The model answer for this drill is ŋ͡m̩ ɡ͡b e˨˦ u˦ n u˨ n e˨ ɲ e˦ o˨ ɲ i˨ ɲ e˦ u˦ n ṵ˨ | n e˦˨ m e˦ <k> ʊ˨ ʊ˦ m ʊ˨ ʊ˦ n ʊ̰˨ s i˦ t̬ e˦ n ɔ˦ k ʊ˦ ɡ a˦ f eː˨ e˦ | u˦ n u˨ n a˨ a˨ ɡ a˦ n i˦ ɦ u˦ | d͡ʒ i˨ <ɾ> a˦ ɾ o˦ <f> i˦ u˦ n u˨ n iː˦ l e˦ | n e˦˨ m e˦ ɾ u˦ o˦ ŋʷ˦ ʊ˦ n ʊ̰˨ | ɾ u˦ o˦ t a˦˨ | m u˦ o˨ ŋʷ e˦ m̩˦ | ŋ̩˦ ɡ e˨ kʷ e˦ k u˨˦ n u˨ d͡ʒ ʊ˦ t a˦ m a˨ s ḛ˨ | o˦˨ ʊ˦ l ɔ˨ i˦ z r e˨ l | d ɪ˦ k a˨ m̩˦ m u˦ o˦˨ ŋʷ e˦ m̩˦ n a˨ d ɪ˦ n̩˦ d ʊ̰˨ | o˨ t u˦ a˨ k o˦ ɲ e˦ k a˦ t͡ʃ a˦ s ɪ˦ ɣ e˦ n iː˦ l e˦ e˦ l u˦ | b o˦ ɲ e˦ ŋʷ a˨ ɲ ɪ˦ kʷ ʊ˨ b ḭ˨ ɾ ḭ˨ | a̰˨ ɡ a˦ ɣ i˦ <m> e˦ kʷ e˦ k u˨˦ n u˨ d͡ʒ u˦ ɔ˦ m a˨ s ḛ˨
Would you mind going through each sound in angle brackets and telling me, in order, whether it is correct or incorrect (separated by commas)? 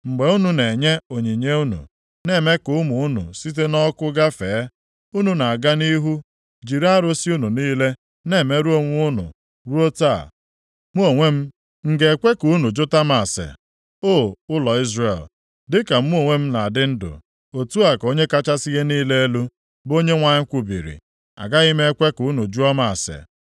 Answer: correct, correct, incorrect, correct